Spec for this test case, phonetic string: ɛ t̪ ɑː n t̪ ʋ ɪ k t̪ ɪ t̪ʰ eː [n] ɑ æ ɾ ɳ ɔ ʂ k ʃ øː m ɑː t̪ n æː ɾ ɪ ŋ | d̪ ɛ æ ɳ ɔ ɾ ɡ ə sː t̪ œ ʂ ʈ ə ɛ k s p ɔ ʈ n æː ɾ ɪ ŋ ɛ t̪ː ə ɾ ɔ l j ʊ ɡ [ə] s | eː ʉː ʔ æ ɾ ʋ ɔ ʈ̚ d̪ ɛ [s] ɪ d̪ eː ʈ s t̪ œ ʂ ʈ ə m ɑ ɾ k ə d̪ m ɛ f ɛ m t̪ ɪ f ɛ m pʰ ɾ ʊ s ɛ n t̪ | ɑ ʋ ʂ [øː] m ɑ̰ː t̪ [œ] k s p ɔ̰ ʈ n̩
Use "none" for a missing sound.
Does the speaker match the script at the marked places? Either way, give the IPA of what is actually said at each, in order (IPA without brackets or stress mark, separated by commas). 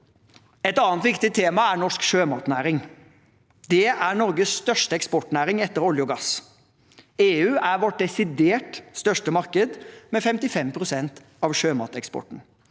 m, ɑ, s, øː, ɛ